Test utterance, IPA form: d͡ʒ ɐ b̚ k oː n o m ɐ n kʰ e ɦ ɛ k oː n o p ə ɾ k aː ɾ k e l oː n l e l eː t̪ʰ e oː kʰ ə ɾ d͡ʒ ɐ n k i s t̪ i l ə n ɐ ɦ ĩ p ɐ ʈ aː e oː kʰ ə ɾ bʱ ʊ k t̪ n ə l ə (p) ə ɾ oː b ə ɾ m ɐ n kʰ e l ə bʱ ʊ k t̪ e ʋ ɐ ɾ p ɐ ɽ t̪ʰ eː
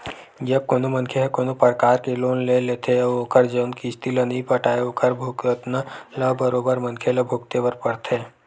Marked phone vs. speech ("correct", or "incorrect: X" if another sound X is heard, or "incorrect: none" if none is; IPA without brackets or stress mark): incorrect: b